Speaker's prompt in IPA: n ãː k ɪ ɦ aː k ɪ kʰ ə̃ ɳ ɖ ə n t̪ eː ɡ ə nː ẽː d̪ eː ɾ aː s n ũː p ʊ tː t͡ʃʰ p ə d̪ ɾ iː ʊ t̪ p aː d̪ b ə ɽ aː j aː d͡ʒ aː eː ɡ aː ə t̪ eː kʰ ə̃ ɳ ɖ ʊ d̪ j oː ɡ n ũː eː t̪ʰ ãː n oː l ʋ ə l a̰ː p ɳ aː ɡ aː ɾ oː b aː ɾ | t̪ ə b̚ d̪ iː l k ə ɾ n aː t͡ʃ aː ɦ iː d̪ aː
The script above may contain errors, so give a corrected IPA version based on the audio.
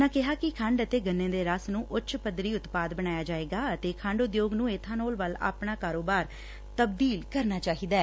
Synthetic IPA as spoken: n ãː k ɪ ɦ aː k ɪ kʰ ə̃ ɳ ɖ ə t̪ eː ɡ ə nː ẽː d̪ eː ɾ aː s n ũː ʔ ʊ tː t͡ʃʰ p ə d̪ ɾ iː ʊ t̪ p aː d̪ b ə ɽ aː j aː d͡ʒ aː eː ɡ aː ə t̪ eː kʰ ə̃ ɳ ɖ ʊ d̪ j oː ɡ n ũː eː t̪ʰ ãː n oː l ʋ ə l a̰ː p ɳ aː k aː ɾ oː b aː ɾ | t̪ ə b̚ d̪ iː l k ə ɾ n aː t͡ʃ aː ɦ iː d̪ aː